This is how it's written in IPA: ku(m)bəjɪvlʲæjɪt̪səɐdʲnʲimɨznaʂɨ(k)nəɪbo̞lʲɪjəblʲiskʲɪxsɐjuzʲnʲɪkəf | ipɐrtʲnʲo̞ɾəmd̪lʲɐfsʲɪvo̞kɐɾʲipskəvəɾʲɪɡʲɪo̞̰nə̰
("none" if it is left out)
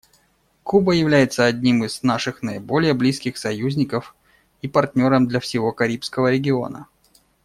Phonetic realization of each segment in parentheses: none, x

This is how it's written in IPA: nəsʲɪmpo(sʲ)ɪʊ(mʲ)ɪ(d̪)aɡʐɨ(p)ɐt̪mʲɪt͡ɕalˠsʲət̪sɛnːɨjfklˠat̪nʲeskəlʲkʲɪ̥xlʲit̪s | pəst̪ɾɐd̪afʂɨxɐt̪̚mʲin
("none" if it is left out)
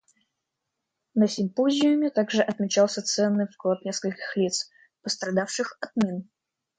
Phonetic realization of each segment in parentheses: zʲ, mʲ, t̪, ʔ

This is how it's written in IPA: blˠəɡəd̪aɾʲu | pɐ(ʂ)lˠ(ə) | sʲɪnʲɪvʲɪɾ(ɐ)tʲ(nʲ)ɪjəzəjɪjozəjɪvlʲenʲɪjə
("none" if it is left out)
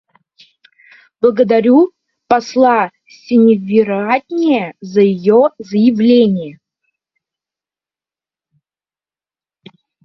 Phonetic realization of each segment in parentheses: s, a, a, nʲ

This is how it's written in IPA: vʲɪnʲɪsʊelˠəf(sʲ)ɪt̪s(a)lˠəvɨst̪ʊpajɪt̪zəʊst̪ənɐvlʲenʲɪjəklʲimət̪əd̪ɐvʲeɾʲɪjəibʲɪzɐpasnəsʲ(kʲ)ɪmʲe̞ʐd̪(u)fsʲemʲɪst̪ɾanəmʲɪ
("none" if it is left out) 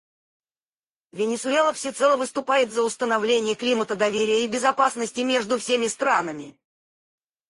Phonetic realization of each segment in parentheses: sʲ, ɛ, tʲ, ʊ

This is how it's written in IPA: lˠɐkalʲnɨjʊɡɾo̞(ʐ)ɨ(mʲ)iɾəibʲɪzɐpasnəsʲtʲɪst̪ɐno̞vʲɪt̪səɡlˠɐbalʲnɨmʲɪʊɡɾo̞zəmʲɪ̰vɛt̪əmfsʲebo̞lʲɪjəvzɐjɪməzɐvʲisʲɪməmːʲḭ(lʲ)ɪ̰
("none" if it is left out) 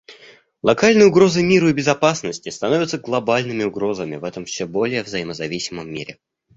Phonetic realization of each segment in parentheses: z, mʲ, ɾʲ

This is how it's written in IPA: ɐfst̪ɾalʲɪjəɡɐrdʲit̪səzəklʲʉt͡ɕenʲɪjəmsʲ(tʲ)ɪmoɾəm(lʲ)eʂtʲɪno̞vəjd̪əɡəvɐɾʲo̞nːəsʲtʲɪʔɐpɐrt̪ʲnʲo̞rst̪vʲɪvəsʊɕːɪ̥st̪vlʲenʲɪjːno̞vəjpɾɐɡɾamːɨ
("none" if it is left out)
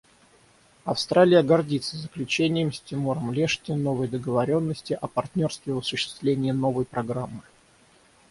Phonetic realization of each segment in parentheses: tʲ, lʲ

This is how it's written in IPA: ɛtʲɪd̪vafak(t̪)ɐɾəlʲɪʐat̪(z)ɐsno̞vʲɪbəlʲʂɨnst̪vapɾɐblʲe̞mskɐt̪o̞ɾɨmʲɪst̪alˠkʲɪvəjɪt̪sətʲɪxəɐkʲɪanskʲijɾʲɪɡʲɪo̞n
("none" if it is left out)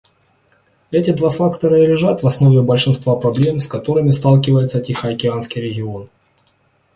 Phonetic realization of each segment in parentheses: t̪, v

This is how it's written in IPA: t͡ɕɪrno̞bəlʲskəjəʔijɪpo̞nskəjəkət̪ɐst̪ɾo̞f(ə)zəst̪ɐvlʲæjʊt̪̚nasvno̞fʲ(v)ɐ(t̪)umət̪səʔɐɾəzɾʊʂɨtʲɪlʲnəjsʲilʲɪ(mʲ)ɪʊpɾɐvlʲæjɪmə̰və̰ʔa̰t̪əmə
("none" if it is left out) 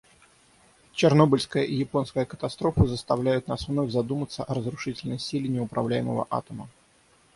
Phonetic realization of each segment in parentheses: ə, z, d̪, nʲ

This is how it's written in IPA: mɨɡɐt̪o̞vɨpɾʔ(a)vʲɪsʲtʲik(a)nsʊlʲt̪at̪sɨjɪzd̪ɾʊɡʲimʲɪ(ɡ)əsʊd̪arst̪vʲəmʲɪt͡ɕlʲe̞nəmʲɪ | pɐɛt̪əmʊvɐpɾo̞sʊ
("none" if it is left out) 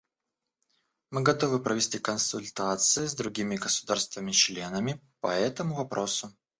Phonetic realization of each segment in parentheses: ə, ə, ɡ

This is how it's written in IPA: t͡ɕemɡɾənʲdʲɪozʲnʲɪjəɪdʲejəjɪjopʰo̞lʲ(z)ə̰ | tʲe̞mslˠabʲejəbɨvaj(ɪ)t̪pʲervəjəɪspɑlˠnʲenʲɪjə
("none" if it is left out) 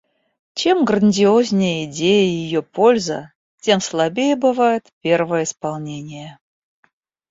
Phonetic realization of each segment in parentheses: z, ɪ

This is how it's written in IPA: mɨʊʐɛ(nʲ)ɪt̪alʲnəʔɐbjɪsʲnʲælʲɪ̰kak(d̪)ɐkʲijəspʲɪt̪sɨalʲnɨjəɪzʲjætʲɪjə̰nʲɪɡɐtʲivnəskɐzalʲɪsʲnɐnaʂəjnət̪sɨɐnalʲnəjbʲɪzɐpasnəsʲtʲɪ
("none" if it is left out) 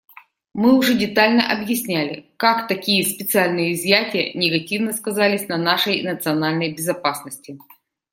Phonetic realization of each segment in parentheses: dʲ, t̪

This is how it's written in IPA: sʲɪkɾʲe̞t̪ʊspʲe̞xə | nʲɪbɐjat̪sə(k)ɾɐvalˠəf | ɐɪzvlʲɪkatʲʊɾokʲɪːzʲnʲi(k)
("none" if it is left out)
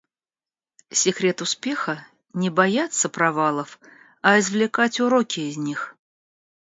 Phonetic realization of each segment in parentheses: p, x

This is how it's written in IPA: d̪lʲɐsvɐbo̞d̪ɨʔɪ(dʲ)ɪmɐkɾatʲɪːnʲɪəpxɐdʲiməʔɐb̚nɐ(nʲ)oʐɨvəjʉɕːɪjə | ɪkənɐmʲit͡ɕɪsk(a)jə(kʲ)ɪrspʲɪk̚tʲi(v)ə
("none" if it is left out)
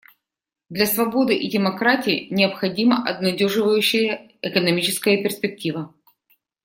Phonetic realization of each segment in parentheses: dʲ, dʲ, ə, pʲ, v

